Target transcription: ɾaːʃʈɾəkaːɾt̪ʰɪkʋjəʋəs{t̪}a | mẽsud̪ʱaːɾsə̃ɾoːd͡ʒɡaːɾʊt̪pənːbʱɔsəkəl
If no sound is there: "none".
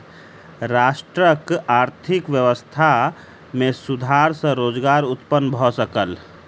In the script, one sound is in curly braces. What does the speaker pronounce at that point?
t̪ʰ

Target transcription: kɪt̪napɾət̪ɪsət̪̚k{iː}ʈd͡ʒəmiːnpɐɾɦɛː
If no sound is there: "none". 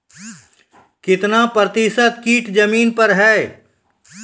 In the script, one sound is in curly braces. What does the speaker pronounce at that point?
iː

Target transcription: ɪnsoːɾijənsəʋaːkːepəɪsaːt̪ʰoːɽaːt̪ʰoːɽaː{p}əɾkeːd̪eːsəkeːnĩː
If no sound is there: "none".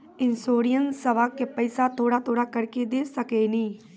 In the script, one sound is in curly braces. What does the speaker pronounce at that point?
k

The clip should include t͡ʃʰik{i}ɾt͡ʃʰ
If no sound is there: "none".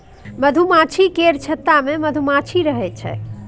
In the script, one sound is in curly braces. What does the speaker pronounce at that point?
e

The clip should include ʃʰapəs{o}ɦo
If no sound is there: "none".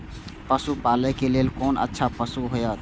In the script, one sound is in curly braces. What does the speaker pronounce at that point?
u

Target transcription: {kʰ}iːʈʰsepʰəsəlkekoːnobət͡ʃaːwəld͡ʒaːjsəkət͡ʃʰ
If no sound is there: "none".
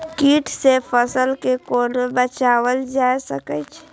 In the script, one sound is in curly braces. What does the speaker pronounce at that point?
k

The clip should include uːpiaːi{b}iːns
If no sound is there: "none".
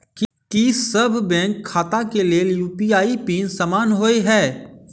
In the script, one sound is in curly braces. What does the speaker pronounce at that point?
p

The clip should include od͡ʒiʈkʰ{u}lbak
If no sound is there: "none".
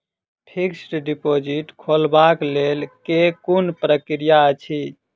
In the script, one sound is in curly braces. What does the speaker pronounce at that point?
o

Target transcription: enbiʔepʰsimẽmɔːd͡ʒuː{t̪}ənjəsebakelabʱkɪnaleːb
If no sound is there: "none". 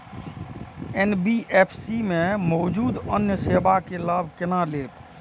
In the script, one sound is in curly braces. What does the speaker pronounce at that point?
d̪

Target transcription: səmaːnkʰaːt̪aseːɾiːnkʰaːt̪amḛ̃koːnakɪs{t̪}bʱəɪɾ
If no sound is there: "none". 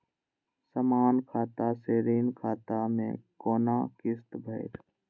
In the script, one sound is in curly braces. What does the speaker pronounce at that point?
t̪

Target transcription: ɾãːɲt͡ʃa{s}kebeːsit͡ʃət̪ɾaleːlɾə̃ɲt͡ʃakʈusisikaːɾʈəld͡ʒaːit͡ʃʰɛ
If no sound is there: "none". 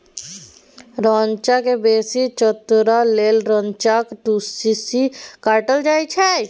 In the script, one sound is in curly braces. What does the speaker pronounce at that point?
none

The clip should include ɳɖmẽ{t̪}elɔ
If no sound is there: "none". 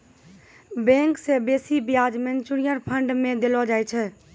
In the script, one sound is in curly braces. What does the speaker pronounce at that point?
d̪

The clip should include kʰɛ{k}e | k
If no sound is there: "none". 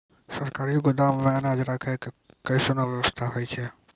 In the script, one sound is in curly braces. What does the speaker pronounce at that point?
k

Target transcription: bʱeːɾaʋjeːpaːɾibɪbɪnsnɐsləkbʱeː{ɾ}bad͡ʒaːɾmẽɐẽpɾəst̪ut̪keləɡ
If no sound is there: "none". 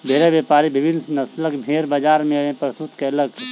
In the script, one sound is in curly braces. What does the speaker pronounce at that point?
ɾ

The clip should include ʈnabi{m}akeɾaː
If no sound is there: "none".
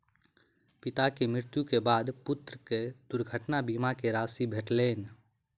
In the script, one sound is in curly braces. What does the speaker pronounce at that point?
m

